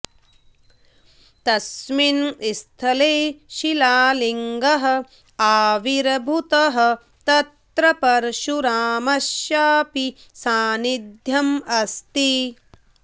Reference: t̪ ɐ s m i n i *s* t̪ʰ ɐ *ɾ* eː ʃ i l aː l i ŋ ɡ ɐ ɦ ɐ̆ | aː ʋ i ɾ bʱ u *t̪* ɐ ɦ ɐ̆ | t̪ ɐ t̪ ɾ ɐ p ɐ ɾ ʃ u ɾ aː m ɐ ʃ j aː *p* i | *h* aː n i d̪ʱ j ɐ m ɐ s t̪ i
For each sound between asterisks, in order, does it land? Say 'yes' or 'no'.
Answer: yes, no, yes, yes, no

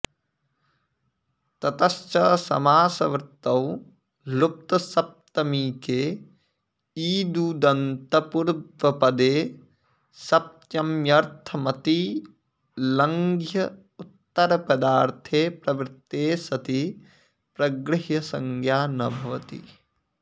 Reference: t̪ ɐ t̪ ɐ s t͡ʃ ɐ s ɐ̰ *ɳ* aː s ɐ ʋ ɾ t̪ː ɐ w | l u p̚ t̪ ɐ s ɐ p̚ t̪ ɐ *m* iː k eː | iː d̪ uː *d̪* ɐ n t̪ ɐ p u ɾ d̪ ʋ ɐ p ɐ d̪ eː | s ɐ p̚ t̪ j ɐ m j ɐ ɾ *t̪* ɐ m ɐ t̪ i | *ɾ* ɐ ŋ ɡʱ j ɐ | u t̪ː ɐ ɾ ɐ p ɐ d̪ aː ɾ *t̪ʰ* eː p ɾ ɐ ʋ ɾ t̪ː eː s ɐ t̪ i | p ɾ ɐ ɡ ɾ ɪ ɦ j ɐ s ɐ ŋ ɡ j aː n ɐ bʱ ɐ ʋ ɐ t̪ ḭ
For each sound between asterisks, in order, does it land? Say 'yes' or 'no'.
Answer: no, yes, yes, no, no, yes

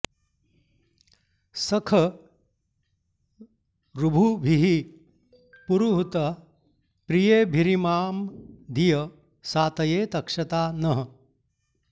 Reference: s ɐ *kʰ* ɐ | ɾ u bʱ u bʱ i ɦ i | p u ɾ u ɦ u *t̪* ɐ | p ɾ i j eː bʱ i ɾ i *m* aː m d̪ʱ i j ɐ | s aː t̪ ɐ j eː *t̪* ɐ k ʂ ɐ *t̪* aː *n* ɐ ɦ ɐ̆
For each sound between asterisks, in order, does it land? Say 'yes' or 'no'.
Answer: yes, yes, yes, yes, yes, yes

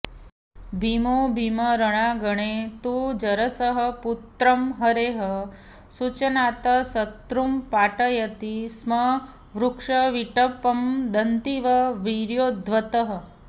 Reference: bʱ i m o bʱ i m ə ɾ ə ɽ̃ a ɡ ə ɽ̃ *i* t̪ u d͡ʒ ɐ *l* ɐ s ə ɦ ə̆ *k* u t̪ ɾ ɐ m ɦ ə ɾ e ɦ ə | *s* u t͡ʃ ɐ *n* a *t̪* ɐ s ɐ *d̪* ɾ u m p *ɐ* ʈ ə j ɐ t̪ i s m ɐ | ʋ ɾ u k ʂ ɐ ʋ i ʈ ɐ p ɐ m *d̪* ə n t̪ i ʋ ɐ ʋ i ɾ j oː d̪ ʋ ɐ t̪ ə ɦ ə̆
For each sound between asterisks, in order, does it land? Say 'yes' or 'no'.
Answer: no, no, no, yes, yes, yes, no, no, yes

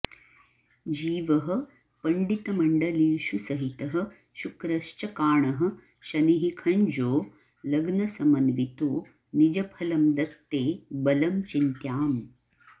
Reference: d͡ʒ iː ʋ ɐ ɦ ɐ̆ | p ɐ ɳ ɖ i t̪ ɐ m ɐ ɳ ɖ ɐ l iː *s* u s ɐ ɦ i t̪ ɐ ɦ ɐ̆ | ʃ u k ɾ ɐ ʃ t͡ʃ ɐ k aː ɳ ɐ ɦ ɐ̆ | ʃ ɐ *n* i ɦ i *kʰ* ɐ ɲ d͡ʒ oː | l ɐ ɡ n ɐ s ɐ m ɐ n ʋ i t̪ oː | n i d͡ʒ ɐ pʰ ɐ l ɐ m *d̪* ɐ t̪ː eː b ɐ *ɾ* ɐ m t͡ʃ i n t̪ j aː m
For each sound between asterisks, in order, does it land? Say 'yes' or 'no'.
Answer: no, yes, yes, yes, no

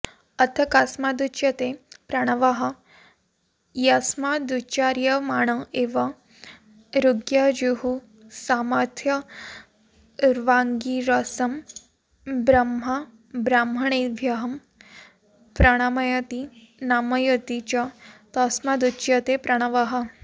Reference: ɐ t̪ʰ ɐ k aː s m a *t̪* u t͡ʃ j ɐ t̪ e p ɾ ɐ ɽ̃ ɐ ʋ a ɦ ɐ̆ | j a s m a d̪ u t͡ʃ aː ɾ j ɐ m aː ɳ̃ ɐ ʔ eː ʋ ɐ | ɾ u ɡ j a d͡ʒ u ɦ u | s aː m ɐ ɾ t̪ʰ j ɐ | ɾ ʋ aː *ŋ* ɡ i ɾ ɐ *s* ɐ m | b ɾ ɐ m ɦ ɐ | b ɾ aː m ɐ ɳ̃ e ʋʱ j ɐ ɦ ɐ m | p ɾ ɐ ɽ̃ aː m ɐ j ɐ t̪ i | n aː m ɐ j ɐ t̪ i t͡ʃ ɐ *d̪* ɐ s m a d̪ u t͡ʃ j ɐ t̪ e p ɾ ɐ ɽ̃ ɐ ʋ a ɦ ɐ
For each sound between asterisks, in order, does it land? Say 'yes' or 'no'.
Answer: no, yes, yes, no

